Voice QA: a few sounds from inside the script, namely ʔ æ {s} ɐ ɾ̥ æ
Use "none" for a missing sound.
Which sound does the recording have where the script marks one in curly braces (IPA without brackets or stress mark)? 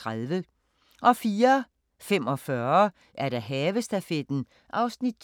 none